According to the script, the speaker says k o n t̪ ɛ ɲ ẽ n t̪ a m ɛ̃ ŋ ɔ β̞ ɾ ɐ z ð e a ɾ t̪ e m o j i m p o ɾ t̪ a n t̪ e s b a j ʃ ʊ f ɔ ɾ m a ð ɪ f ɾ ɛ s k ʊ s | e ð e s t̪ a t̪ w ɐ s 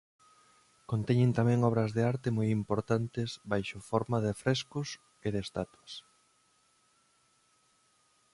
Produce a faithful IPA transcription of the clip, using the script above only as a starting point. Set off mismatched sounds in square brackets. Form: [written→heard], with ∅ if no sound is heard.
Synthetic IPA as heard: k o n t̪ ɛ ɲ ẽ n t̪ a m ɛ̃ ŋ ɔ β̞ ɾ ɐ z ð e a ɾ t̪ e m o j i m p o ɾ t̪ a n t̪ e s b a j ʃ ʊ f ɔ ɾ m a ð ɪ f ɾ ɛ s k ʊ s | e ð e s t̪ a t̪ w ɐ s